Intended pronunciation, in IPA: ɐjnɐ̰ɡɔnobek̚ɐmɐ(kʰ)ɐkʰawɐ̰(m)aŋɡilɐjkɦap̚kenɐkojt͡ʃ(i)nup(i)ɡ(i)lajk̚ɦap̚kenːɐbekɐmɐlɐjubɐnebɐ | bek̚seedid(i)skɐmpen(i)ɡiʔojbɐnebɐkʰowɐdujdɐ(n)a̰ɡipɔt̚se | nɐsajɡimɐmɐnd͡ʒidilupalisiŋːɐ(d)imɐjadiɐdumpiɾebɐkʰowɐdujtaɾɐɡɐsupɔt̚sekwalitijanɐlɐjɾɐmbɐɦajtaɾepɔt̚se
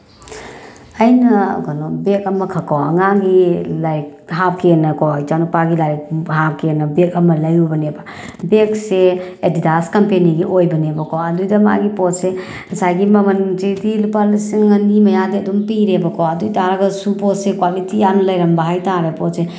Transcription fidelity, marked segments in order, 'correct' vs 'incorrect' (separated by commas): correct, incorrect, incorrect, incorrect, correct, incorrect, correct, incorrect, incorrect